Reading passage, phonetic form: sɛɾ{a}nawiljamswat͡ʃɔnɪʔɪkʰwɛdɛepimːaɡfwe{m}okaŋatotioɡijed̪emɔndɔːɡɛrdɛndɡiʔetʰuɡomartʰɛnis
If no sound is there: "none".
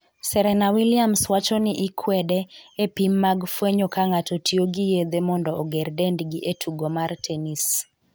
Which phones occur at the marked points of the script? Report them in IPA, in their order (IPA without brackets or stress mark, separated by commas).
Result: ɛ, ɲ